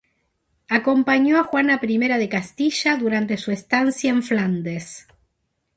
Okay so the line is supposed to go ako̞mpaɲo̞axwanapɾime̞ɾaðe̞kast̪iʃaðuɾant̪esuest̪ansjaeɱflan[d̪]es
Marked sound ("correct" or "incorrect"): correct